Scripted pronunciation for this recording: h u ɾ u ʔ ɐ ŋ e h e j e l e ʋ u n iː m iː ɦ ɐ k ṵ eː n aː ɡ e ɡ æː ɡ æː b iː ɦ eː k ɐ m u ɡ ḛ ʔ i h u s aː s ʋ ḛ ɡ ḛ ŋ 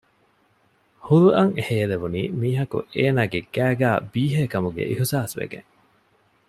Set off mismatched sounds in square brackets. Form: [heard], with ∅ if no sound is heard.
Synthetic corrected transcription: h u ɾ u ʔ ɐ ŋ e h e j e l e ʋ u n iː m iː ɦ ɐ k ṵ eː n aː ɡ e ɡ æː ɡ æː b iː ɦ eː k ɐ m u ɡ ḛ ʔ i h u s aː s ʋ ḛ ɡ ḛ ŋ